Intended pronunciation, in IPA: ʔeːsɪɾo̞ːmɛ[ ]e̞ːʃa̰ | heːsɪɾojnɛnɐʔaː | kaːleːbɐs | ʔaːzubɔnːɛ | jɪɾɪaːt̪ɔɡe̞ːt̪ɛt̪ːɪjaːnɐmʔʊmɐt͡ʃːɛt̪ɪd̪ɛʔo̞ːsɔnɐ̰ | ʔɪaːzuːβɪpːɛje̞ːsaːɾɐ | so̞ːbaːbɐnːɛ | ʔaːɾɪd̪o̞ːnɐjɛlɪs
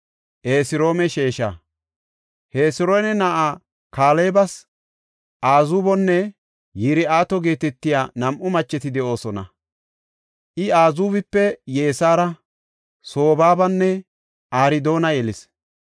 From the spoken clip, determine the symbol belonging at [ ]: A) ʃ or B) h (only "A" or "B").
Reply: A